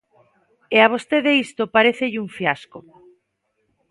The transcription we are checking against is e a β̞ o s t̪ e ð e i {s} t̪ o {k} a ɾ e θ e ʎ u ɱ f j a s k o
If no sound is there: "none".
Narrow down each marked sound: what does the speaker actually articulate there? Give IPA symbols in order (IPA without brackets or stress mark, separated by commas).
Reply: s, p